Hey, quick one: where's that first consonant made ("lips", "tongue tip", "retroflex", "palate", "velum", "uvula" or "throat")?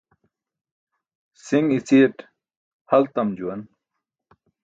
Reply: tongue tip